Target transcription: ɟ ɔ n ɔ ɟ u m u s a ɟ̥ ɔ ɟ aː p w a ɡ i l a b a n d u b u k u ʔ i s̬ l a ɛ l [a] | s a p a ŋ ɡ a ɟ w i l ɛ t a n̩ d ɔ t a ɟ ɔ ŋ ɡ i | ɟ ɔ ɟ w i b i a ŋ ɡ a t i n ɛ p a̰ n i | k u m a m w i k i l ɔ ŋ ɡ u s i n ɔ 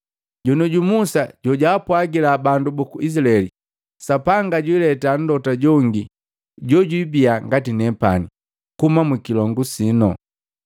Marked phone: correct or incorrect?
incorrect